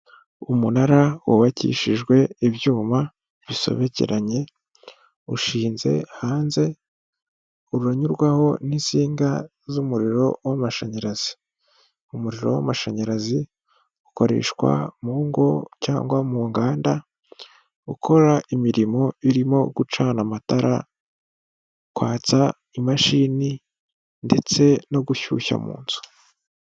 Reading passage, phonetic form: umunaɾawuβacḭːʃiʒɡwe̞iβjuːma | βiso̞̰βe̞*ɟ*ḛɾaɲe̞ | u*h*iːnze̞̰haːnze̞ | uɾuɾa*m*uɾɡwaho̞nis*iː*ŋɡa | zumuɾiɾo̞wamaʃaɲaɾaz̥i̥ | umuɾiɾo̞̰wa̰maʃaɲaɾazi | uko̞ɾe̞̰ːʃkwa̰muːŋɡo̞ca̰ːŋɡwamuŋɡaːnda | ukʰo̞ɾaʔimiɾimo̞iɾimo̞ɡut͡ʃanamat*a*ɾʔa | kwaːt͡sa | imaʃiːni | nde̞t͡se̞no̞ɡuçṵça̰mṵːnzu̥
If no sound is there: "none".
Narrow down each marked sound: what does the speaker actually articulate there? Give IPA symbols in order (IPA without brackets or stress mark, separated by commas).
c, ʃ, ɲ, iː, a